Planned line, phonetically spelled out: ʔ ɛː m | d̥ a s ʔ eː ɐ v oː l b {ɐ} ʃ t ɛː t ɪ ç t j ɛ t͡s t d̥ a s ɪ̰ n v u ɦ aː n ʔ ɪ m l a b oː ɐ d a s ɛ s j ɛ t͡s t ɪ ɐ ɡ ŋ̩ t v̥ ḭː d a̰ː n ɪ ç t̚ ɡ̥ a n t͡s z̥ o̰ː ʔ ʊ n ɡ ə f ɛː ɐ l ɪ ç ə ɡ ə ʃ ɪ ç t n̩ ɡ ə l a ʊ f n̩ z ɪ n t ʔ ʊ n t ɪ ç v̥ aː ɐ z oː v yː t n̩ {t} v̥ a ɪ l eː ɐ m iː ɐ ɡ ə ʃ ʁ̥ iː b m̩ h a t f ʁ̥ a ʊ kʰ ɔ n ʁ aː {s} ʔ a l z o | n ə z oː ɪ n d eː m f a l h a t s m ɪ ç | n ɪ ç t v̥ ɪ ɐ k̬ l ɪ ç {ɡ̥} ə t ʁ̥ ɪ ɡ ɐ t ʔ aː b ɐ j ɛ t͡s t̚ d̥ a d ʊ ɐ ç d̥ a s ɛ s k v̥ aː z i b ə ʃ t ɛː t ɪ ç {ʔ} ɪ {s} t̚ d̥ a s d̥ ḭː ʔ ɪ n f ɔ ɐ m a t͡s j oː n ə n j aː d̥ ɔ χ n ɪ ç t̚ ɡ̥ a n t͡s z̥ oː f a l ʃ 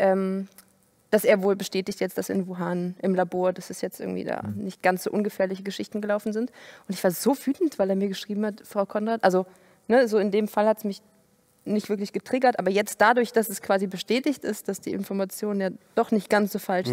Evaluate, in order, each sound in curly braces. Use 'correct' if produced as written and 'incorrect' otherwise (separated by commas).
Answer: incorrect, correct, incorrect, correct, incorrect, correct